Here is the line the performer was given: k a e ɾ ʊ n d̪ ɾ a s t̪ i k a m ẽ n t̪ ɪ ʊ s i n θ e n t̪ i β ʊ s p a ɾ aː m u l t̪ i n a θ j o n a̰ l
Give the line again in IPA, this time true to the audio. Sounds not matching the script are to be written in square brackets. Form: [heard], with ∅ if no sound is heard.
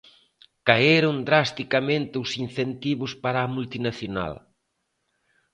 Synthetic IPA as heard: k a e ɾ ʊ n d̪ ɾ a s t̪ i k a m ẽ n t̪ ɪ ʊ s i n θ e n t̪ i β ʊ s p a ɾ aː m u l t̪ i n a θ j o n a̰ l